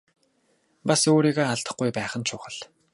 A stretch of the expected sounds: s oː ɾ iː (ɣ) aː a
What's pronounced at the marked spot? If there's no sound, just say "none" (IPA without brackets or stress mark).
ɣ